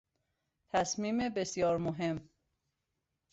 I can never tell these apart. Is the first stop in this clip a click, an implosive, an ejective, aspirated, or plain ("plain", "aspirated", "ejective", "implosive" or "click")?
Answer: aspirated